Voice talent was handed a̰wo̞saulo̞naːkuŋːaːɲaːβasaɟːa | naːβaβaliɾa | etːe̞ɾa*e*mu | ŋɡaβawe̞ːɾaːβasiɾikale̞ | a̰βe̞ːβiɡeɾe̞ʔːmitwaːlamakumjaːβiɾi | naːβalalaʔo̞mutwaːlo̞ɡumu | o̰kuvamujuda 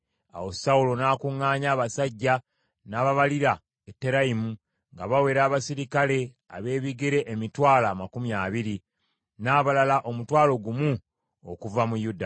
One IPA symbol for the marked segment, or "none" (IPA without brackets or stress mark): i